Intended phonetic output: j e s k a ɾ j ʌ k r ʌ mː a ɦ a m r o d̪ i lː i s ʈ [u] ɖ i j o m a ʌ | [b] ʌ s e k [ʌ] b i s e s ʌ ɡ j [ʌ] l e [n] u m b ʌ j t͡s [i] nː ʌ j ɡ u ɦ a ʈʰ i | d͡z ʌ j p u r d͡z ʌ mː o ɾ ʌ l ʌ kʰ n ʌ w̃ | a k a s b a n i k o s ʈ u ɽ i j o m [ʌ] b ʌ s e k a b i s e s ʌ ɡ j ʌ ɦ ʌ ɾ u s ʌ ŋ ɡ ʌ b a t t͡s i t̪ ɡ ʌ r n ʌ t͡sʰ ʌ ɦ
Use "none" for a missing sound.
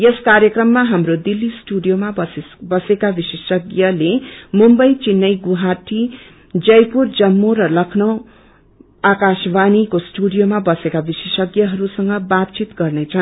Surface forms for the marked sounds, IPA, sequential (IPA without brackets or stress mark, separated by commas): u, b, a, ʌ, m, i, a